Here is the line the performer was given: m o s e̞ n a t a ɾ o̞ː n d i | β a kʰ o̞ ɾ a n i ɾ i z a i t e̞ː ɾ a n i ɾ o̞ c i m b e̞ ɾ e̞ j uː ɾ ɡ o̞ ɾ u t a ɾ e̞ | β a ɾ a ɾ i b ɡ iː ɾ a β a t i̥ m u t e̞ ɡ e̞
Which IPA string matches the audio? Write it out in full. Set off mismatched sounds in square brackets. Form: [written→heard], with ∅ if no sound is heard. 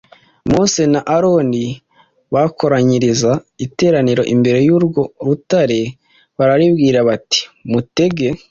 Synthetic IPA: m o s e̞ n a [t→ʔ] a ɾ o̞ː n d i | β a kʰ o̞ ɾ a [n→ɲ] i ɾ i z a i t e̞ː ɾ a n i ɾ o̞ [c→ʔ] i m b e̞ ɾ e̞ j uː ɾ ɡ o̞ ɾ u t a ɾ e̞ | β a ɾ a ɾ i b ɡ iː ɾ a β a t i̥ m u t e̞ ɡ e̞

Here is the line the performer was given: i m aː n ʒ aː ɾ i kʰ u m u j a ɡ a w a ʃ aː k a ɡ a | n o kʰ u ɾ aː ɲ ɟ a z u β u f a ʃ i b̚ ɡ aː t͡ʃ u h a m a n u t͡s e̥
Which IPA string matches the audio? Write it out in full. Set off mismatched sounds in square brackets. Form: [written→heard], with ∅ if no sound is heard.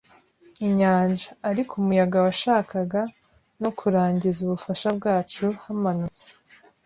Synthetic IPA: i [m→ɲ] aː n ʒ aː ɾ i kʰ u m u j a ɡ a w a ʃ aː k a ɡ a | n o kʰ u ɾ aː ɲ ɟ [a→i] z u β u f a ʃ [i→a] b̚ ɡ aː t͡ʃ u h a m a n u t͡s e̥

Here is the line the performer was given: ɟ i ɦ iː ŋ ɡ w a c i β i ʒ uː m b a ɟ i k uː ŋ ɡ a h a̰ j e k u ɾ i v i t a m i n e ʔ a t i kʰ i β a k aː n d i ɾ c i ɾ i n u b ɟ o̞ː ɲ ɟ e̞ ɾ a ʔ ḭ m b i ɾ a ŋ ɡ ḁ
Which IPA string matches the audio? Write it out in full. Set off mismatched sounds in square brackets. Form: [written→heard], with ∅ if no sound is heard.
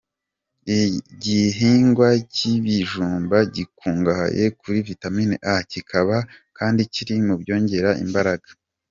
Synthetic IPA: ɟ i ɦ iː ŋ ɡ w a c i β i ʒ uː m b a ɟ i k uː ŋ ɡ a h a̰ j e k u ɾ i v i t a m i n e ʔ a [t→c] i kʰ [i→a] β a k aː n d i [ɾ→∅] c i ɾ i [n→m] u b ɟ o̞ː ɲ ɟ e̞ ɾ a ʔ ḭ m b [i→a] ɾ a [ŋ→∅] ɡ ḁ

